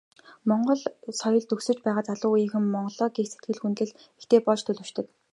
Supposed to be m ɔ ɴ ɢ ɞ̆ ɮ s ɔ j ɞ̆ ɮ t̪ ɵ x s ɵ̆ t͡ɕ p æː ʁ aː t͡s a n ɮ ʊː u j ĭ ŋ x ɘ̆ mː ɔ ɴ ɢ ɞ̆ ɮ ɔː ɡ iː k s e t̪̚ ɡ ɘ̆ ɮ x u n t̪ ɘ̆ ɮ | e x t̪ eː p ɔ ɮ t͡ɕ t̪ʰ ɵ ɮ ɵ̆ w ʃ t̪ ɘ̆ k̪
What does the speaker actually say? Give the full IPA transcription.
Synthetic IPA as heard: m ɔ ɴ ɢ ɞ̆ ɮ s ɔ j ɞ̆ ɮ t̪ ɵ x s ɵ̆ t͡ɕ p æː ʁ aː t͡s a ɮ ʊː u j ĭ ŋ x ɘ̆ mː ɔ ɴ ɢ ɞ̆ ɮ ɔː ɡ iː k s e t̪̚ ɡ ɘ̆ ɮ x u n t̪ ɘ̆ ɮ | e x t̪ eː p ɔ ɮ t͡ɕ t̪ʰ ɵ ɮ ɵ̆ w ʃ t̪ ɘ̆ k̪